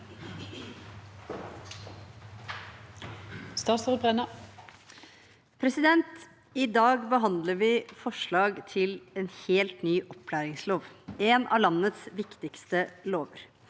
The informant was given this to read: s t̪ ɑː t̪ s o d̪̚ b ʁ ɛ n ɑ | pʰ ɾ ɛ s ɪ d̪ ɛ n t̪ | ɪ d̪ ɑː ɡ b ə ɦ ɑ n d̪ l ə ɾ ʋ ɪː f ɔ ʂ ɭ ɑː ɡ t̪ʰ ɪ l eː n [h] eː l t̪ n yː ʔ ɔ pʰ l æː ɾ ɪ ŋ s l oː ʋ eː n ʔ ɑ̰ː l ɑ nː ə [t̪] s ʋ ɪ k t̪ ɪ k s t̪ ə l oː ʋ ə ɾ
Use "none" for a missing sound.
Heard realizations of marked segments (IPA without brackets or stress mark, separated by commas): h, t̪